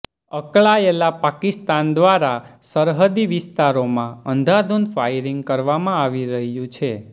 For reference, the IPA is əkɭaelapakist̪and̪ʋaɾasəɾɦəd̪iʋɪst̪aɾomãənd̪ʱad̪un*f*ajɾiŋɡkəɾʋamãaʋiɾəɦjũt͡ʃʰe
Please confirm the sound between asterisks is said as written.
yes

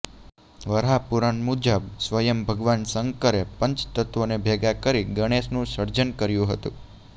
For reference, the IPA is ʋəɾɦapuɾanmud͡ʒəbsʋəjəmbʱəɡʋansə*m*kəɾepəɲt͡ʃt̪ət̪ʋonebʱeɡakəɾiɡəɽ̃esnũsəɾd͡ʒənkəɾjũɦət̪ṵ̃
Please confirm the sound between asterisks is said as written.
no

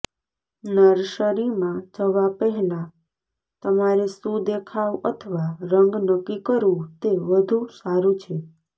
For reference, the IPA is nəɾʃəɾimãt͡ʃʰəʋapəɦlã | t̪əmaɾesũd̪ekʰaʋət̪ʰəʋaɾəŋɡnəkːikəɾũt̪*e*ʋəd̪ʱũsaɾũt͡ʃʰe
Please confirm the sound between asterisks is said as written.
yes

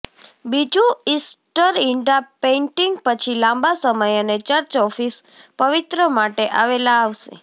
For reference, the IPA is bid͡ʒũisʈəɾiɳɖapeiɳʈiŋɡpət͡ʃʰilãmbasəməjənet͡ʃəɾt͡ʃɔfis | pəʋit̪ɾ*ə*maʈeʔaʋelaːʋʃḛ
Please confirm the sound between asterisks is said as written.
yes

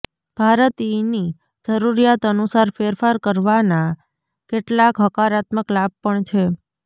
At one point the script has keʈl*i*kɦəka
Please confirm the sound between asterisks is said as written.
no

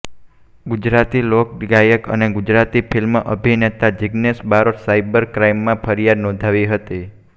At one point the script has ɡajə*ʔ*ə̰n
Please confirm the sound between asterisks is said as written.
no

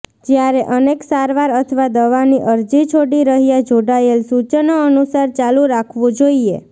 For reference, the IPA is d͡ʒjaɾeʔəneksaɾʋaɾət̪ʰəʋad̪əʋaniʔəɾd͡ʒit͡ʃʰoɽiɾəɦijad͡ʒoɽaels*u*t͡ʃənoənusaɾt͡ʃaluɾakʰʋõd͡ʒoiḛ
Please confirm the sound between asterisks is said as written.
yes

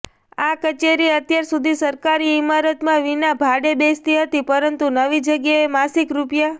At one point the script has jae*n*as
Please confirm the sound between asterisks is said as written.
no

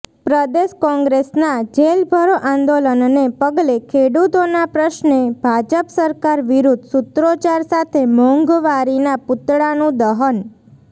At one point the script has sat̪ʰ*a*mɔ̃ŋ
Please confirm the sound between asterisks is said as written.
no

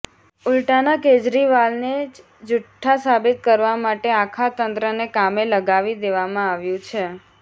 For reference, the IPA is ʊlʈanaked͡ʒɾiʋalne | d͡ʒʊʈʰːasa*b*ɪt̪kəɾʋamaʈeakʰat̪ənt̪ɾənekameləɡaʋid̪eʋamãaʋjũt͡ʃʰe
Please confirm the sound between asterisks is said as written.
yes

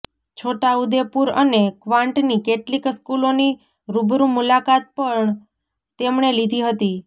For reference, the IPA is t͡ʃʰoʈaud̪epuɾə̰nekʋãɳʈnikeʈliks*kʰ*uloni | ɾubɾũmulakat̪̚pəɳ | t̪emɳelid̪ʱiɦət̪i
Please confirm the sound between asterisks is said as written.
no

